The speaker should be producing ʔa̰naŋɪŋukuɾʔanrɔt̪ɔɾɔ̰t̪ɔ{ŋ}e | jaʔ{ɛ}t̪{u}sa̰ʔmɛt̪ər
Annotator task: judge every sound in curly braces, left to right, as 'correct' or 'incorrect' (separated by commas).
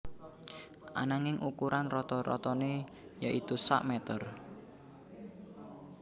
incorrect, incorrect, correct